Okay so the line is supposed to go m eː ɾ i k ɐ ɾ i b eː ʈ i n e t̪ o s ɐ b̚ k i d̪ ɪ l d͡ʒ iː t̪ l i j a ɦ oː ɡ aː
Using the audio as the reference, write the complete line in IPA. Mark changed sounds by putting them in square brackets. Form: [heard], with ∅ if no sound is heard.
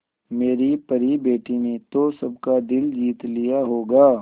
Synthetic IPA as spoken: m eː ɾ i [p] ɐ ɾ i b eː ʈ i n e t̪ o s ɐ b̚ k [a] d̪ ɪ l d͡ʒ iː t̪ l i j a ɦ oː ɡ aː